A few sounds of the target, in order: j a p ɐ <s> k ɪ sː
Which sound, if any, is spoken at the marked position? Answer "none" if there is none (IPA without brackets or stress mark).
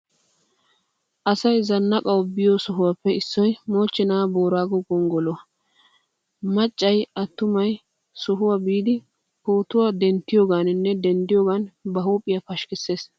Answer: ʃ